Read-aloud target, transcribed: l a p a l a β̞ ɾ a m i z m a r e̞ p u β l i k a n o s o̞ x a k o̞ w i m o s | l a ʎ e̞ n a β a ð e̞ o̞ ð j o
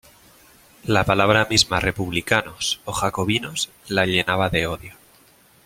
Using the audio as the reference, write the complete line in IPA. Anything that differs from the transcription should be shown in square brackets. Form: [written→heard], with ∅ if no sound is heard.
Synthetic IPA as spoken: l a p a l a β̞ ɾ a m i z m a r e̞ p u β l i k a n o s o̞ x a k o̞ [w→β] i [m→n] o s | l a ʎ e̞ n a β a ð e̞ o̞ ð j o